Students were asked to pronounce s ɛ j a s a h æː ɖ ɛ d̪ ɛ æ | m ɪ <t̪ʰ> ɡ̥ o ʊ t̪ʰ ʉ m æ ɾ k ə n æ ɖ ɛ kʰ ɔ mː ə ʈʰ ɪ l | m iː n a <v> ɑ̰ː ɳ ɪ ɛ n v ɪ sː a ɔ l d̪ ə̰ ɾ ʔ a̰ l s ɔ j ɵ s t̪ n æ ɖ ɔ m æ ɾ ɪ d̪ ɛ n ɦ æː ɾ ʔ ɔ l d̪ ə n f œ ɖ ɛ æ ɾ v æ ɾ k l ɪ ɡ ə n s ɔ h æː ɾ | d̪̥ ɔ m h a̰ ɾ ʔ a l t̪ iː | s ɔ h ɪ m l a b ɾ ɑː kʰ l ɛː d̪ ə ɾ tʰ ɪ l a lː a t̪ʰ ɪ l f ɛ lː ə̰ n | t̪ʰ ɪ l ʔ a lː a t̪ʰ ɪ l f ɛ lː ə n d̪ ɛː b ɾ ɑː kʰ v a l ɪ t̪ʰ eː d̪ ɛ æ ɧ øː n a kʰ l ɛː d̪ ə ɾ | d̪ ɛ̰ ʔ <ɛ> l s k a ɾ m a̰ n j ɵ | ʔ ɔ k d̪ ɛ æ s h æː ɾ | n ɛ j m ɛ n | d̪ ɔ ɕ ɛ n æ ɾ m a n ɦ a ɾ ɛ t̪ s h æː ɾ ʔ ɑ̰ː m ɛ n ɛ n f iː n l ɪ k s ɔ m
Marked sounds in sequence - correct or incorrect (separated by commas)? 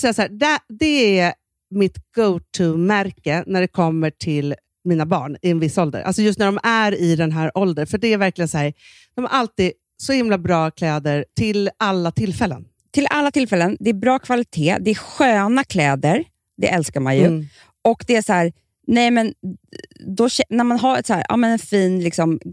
incorrect, incorrect, correct